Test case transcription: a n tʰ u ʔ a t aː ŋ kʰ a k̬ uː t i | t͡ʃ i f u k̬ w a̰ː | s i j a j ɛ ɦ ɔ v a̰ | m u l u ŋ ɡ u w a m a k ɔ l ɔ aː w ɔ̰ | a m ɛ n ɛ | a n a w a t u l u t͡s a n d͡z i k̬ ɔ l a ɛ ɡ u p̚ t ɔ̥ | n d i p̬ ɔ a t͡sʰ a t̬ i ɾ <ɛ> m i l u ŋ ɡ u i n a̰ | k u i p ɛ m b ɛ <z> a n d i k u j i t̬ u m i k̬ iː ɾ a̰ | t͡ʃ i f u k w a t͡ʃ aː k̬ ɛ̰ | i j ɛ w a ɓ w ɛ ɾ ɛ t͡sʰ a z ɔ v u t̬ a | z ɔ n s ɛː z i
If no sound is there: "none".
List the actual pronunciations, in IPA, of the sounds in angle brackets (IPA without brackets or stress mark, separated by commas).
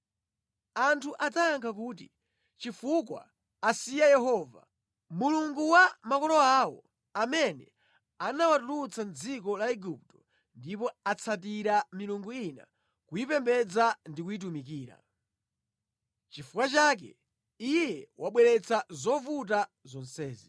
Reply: a, d͡z